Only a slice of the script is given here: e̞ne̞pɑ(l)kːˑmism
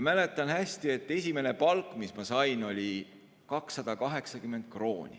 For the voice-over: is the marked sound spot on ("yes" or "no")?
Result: yes